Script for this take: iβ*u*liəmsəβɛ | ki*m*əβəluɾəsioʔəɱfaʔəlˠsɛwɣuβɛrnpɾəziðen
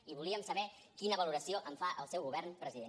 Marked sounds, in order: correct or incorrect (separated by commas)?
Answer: correct, incorrect